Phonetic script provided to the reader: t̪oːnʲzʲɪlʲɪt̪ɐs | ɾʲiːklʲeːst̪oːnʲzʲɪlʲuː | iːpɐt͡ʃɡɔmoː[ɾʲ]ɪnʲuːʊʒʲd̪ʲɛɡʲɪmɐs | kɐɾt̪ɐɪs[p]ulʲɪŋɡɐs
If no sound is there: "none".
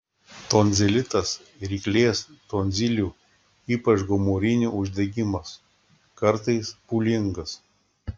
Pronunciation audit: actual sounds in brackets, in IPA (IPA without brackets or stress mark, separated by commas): ɾʲ, p